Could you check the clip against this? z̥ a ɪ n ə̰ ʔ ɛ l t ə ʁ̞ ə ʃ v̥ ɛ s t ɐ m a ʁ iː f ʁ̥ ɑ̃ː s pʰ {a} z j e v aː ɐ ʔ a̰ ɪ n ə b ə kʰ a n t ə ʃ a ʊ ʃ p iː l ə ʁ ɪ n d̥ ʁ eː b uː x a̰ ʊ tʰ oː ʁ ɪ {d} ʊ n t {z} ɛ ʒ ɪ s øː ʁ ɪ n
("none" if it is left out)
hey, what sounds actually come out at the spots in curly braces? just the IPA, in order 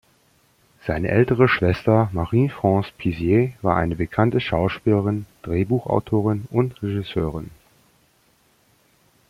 i, n, ʁ

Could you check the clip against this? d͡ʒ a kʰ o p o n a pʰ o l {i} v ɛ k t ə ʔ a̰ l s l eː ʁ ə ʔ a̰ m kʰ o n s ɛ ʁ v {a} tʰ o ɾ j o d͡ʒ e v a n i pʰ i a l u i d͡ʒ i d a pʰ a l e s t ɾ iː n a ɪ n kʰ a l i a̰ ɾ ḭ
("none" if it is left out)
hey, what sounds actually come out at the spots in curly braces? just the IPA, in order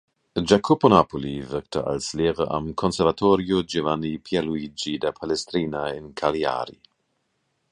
i, a

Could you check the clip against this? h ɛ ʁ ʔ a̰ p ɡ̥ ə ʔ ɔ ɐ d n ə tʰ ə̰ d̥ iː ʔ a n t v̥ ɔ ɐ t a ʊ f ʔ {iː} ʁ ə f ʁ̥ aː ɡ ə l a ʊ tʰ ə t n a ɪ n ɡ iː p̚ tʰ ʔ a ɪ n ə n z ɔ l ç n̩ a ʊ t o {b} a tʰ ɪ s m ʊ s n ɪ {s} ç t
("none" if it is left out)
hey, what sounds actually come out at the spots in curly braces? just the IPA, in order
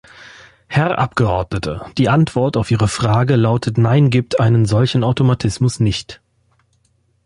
iː, m, none

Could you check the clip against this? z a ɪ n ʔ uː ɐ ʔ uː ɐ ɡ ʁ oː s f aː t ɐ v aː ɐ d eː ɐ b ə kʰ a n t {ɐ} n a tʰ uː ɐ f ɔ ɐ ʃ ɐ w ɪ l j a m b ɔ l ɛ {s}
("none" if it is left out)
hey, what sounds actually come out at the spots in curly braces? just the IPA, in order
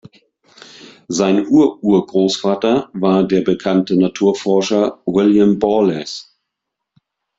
ə, s

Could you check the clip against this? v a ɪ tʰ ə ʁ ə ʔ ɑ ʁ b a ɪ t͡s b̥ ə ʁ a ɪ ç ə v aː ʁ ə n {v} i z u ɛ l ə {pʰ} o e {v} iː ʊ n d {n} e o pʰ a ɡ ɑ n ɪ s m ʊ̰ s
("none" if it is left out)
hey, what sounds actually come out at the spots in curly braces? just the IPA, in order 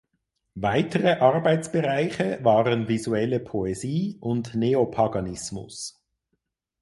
v, pʰ, z, n

